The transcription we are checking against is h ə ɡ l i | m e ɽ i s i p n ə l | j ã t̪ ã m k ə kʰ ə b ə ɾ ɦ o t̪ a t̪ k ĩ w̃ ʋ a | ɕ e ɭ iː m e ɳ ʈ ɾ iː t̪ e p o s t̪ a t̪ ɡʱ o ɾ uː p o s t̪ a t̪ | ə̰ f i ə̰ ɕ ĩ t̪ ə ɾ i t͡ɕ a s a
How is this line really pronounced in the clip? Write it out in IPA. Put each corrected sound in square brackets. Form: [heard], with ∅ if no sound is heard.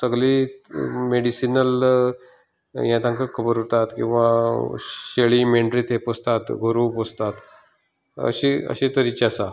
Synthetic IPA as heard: [s] ə ɡ l i | m e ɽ i s i [∅] n ə l | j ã t̪ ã [ŋ] k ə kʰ ə b ə ɾ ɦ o t̪ a t̪ k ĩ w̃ ʋ a | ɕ e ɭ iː m e ɳ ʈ ɾ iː t̪ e p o s t̪ a t̪ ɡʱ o ɾ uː p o s t̪ a t̪ | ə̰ [ɕ] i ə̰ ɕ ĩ t̪ ə ɾ i t͡ɕ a s a

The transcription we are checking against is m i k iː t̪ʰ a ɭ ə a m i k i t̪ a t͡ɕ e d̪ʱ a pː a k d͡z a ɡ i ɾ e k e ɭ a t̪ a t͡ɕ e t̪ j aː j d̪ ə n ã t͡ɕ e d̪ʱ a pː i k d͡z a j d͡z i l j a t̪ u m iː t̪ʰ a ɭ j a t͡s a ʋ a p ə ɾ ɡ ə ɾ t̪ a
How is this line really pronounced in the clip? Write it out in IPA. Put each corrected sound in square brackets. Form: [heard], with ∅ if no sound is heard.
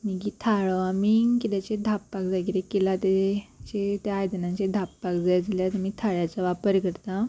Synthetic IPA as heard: m i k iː t̪ʰ a ɭ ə a m i k i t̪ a t͡ɕ e d̪ʱ a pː a k d͡z a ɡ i ɾ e k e [l] a t̪ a t͡ɕ e t̪ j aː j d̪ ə n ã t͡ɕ e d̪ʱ a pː [a] k d͡z a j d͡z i l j a t̪ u m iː t̪ʰ a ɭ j a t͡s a ʋ a p ə ɾ [k] ə ɾ t̪ a

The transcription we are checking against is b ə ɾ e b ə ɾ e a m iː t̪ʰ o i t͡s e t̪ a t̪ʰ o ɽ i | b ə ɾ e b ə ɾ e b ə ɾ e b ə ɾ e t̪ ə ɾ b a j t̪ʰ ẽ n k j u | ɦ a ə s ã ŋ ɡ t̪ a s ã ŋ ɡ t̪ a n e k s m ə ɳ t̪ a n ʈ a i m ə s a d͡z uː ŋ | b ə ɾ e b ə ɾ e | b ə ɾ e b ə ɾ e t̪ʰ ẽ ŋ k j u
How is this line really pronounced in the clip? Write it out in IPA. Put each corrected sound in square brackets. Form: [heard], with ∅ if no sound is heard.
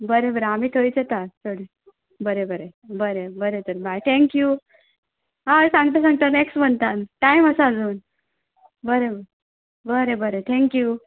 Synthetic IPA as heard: b ə ɾ e b ə ɾ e a m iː t̪ʰ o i t͡s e t̪ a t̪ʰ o ɽ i | b ə ɾ e b ə ɾ e b ə ɾ e b ə ɾ e t̪ ə ɾ b a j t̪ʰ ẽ [ŋ] k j u | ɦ a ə s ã ŋ ɡ t̪ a s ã ŋ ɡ t̪ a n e k s m ə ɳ t̪ a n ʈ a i m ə s a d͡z uː [n] | b ə ɾ e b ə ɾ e | b ə ɾ e b ə ɾ e t̪ʰ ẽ ŋ k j u

